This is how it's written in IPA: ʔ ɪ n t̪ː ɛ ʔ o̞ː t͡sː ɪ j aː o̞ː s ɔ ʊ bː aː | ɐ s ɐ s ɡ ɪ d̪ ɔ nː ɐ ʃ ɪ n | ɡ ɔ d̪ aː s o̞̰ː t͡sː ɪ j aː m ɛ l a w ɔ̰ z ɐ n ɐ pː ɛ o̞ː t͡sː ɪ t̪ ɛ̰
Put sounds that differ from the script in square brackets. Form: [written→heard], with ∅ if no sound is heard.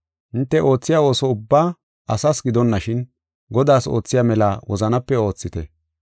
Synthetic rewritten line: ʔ ɪ n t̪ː ɛ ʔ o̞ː t͡sː ɪ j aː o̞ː s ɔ ʊ bː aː | ɐ s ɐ s ɡ ɪ d̪ ɔ nː ɐ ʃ ɪ n | ɡ ɔ d̪ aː s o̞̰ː t͡sː ɪ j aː m ɛ l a w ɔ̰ z ɐ n ɐ pː ɛ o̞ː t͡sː ɪ t̪ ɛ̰